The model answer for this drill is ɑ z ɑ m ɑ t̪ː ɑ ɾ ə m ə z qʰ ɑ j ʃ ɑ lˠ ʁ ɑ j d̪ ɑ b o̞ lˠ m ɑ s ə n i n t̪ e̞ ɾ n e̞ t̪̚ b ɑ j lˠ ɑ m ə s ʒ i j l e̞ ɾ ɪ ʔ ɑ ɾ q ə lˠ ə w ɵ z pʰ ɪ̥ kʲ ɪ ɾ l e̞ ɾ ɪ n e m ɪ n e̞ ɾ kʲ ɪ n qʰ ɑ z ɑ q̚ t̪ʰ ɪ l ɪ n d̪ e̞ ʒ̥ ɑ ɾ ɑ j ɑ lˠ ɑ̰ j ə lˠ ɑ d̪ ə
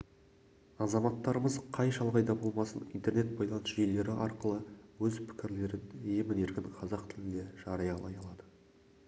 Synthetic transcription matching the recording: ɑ z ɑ m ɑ t̪ː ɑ ɾ ə m ə z qʰ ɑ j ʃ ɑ lˠ ʁ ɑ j d̪ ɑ b o̞ lˠ m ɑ s ə n i n t̪ e̞ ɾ n e̞ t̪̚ b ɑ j lˠ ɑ n ə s ʒ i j l e̞ ɾ ɪ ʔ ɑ ɾ q ə lˠ ə w ɵ z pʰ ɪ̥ kʲ ɪ ɾ l e̞ ɾ ɪ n e m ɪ n e̞ ɾ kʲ ɪ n qʰ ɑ z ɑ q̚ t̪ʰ ɪ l ɪ n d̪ e̞ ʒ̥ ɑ ɾ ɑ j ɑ lˠ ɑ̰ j ɑ lˠ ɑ d̪ ə